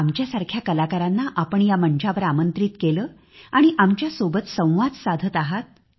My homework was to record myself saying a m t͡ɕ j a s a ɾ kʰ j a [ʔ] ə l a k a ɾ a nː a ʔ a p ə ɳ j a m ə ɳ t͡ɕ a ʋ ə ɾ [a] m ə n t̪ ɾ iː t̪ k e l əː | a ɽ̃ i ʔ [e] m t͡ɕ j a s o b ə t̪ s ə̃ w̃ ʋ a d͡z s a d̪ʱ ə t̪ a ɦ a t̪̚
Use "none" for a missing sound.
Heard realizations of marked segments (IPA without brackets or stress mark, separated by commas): k, a, a